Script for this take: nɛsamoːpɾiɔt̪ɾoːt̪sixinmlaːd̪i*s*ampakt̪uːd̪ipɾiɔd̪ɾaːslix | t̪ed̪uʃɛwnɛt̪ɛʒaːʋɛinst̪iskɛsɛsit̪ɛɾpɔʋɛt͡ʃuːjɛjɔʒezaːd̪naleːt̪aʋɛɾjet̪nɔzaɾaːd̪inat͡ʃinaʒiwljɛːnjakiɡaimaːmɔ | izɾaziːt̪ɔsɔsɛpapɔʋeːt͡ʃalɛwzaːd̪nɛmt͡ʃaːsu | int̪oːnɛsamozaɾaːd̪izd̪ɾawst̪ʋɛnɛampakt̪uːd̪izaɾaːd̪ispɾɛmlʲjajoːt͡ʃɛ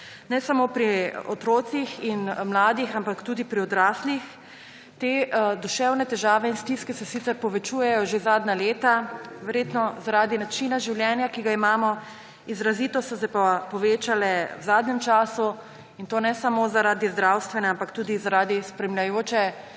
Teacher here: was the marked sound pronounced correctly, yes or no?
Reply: no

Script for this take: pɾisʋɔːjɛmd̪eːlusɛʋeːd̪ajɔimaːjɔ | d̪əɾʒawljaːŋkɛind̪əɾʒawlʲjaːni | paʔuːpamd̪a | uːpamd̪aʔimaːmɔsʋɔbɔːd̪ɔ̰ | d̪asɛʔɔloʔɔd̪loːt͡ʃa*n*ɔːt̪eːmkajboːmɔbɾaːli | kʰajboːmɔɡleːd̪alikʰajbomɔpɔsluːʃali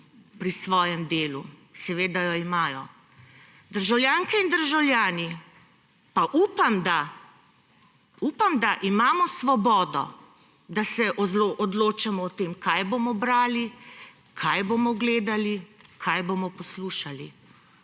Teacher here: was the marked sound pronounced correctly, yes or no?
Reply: no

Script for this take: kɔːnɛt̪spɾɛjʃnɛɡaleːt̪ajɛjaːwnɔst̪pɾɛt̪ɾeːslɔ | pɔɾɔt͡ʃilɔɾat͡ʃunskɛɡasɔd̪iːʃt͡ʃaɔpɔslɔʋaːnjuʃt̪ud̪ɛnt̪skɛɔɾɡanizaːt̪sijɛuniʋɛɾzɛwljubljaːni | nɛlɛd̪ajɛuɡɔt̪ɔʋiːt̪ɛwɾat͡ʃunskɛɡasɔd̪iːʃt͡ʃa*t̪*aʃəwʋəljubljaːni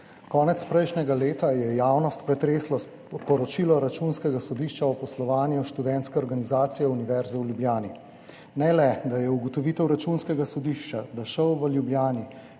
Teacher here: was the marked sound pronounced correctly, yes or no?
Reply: no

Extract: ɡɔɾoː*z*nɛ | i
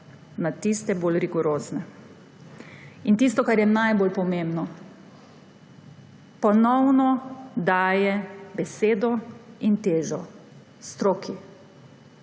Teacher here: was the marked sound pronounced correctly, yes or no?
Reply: yes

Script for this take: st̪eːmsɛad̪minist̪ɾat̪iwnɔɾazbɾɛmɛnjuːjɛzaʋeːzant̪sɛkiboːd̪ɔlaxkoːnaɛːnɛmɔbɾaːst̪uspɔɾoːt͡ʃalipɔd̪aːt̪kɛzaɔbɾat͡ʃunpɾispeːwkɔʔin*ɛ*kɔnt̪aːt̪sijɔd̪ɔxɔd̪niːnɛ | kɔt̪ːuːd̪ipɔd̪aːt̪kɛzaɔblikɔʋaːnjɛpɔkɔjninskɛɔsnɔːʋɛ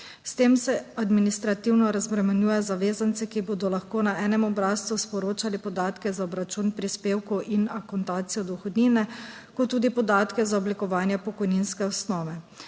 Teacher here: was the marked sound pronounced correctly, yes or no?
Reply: no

